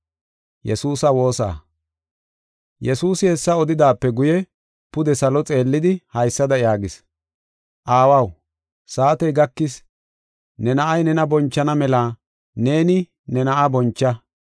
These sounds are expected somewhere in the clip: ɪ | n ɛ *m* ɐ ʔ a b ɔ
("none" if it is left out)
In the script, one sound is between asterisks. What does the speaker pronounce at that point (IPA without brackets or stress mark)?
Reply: n